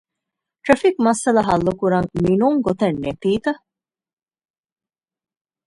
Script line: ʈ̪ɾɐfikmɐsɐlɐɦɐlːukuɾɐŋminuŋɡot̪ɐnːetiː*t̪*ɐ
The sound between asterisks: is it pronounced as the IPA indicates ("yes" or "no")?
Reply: yes